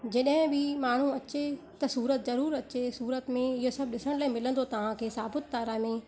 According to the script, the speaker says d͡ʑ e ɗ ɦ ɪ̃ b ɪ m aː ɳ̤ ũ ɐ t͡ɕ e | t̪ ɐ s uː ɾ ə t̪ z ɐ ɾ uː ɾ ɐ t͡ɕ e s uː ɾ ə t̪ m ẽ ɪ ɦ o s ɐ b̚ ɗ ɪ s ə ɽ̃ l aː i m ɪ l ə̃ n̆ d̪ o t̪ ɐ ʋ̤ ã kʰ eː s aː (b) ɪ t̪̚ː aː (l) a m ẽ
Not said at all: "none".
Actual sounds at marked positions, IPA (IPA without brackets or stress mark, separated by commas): b, ɾ